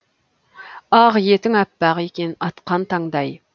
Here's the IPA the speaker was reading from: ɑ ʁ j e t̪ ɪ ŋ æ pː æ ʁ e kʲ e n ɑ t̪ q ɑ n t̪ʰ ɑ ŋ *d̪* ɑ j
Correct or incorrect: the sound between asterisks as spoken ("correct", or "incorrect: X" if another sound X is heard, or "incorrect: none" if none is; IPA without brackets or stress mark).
correct